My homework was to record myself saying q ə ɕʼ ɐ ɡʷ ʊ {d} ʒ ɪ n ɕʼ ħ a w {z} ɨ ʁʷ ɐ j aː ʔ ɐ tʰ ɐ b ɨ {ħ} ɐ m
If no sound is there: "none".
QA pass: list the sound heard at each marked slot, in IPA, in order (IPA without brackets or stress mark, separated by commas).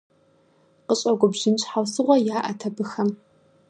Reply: b, s, x